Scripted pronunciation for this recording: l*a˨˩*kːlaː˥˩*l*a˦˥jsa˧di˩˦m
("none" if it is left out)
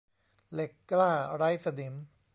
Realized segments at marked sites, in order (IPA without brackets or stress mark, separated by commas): e˨˩, ɾ